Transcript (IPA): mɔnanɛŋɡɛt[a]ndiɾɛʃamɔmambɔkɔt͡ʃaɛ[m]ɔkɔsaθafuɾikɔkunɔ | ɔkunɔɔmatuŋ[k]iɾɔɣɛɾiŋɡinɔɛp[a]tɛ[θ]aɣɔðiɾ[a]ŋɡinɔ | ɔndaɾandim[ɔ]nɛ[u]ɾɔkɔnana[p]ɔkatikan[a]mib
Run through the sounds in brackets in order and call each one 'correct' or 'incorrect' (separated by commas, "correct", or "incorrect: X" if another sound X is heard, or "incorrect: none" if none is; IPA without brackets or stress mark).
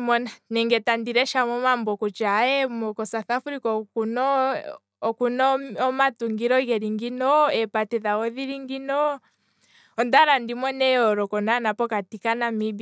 correct, correct, incorrect: ɡ, correct, incorrect: ð, incorrect: i, correct, incorrect: ɔ, correct, correct